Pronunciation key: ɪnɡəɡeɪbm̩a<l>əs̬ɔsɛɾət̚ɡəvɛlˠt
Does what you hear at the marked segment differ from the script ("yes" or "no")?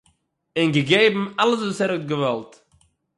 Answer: no